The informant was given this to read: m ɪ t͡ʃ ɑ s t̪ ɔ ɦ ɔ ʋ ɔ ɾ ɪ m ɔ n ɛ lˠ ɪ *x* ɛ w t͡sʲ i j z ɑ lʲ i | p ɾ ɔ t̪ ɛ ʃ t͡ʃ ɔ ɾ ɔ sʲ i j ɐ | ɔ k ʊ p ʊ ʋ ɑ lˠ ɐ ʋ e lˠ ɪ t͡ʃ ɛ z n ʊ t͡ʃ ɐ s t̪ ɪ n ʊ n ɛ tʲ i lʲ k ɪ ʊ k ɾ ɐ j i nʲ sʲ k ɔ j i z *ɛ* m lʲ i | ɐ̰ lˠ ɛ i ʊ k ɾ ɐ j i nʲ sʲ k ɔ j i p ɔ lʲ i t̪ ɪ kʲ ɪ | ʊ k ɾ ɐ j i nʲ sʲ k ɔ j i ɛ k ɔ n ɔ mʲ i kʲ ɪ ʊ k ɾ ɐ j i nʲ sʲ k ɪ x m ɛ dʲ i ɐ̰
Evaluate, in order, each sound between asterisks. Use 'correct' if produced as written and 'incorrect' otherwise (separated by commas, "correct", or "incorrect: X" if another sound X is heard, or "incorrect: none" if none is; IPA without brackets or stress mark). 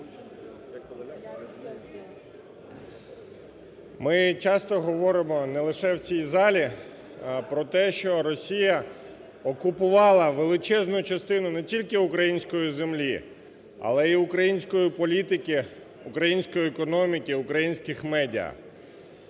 incorrect: ʃ, incorrect: e